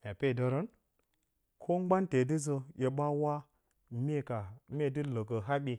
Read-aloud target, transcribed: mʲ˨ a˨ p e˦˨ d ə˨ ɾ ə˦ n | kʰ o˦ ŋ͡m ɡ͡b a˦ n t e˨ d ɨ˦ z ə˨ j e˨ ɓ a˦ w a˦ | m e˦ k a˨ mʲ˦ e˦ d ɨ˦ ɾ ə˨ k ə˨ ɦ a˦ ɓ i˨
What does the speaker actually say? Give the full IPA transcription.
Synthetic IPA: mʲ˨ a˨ p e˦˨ d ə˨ ɾ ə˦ n | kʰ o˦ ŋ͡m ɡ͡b a˦ n t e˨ d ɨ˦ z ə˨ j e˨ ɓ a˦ w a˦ | m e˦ k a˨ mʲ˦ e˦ d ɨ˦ l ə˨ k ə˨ ɦ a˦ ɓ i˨

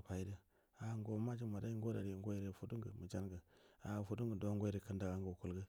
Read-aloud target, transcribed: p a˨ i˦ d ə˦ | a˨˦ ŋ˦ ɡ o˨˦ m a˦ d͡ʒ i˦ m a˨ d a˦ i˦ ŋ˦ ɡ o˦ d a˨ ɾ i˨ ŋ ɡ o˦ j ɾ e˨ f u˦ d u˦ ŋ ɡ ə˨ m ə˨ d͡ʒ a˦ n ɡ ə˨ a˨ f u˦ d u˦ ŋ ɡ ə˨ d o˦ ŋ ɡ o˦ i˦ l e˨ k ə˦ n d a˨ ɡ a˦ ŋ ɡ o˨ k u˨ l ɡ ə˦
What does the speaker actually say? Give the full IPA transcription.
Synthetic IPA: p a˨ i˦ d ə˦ | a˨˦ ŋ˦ ɡ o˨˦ m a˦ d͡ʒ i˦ m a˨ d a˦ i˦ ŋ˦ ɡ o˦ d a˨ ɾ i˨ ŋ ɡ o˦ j ɾ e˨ f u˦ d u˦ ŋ ɡ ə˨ m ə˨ d͡ʒ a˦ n ɡ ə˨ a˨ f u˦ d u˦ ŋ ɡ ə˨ d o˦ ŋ ɡ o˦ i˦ ɾ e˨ k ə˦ n d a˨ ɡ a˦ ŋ ɡ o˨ k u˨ l ɡ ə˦

